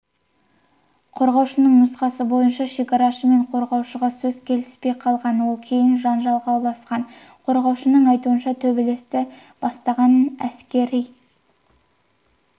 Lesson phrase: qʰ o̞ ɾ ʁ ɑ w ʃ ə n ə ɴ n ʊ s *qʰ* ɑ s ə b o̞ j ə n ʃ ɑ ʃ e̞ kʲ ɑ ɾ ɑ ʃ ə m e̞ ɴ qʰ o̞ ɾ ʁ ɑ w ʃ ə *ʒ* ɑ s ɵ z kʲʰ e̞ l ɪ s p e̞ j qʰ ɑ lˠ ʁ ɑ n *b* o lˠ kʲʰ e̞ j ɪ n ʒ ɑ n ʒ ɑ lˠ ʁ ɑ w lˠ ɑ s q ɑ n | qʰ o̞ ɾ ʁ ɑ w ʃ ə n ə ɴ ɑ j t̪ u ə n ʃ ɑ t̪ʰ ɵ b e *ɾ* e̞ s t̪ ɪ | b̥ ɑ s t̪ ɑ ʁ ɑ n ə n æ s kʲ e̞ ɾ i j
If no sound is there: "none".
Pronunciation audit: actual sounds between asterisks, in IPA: q, ʁ, w, l

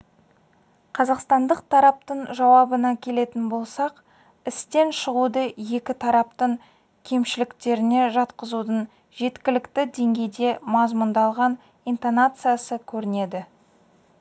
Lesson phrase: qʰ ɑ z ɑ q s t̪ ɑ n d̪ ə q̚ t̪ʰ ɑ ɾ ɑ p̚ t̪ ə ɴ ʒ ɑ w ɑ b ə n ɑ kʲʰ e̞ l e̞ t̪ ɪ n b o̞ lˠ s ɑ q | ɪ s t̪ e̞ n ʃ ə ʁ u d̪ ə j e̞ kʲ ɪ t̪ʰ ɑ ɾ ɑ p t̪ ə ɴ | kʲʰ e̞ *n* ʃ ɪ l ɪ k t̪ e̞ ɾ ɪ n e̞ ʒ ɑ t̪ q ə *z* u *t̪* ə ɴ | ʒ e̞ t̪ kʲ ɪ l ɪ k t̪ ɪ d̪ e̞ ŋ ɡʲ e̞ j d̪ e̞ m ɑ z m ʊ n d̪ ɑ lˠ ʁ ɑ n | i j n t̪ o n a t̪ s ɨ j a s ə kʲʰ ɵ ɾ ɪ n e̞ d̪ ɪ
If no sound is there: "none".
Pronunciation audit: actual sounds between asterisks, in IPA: m, z, d̪

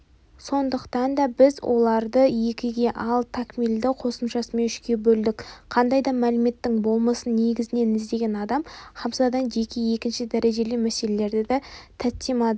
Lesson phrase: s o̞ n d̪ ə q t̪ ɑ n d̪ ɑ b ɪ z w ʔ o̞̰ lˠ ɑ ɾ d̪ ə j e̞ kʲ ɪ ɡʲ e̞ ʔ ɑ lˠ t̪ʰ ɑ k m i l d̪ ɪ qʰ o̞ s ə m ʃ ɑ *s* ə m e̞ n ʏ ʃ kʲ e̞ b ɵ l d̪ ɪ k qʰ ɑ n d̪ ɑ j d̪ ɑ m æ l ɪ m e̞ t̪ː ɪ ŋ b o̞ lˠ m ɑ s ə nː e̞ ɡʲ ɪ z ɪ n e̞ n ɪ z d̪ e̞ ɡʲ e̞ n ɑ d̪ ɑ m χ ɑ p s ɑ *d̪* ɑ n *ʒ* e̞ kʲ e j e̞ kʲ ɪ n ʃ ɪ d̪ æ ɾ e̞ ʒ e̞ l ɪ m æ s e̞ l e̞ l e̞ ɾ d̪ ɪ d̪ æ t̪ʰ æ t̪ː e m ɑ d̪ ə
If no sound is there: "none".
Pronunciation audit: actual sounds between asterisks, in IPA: s, d̪, ʒ

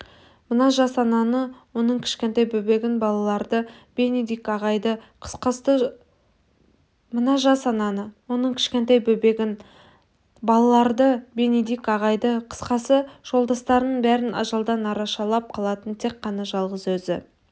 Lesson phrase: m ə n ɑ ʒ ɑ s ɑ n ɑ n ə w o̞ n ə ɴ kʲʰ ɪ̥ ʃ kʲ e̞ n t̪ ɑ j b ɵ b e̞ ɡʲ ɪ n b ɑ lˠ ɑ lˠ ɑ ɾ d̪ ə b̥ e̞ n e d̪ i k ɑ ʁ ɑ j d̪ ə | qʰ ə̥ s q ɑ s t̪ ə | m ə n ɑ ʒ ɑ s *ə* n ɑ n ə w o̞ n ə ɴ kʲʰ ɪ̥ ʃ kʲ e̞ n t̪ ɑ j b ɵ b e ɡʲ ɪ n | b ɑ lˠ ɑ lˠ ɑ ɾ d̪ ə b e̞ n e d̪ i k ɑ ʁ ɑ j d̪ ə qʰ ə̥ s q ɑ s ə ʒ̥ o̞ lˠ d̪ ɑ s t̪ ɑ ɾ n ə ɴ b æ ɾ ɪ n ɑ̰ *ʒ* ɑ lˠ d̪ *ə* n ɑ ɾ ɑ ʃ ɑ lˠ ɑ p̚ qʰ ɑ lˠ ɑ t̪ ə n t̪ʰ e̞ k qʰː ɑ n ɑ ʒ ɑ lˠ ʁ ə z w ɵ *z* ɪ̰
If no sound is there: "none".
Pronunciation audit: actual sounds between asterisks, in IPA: ɑ, ʒ, ɑ, z

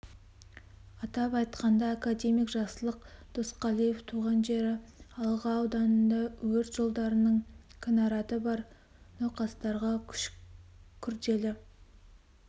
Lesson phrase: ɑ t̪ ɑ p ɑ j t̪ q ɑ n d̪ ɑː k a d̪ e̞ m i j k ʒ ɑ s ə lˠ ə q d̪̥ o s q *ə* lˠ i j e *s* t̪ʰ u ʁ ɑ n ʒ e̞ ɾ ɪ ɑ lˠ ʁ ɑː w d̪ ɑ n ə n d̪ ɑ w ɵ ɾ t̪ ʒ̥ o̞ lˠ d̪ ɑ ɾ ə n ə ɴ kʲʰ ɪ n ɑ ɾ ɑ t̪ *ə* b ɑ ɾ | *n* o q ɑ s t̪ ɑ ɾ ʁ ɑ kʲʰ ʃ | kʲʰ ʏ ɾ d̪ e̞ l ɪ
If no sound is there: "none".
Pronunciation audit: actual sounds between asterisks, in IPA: ɑ, f, ə, n

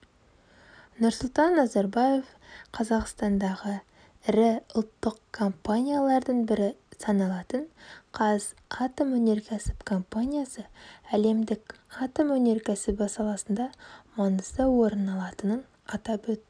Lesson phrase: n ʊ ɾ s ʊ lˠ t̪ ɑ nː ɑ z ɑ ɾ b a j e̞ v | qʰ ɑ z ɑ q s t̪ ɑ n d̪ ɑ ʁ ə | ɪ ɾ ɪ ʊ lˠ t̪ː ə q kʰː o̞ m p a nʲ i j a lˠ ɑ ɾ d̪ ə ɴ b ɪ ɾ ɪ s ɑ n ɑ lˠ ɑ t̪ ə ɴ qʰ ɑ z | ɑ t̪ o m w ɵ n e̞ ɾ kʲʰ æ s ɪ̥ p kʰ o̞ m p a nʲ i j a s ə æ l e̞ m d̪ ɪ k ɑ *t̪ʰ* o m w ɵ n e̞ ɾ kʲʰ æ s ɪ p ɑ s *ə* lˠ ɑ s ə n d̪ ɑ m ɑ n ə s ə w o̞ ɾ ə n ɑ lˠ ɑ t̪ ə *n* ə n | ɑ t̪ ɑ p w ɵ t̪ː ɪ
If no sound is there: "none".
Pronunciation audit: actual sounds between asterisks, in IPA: t̪, ɑ, n

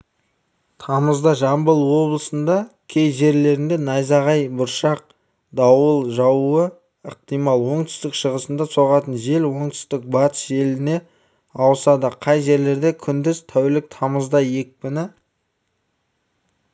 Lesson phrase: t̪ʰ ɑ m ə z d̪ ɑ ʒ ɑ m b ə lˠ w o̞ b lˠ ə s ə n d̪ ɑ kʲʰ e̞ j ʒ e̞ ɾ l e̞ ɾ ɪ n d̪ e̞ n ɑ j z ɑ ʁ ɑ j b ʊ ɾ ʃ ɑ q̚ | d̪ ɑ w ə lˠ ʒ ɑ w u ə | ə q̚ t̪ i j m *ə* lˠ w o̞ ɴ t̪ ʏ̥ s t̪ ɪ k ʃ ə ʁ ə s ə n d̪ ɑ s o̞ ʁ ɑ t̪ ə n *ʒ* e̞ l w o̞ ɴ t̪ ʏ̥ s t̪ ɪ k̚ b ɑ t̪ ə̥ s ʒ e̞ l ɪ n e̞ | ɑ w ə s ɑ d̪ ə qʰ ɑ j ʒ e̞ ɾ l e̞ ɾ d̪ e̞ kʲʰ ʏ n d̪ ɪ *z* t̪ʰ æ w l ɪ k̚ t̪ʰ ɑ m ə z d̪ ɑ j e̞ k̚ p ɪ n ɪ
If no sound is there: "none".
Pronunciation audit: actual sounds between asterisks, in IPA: ɑ, ʒ, z

